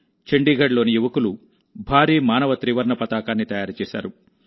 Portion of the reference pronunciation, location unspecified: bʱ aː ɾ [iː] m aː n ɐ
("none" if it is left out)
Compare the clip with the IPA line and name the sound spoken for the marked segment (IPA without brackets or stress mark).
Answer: iː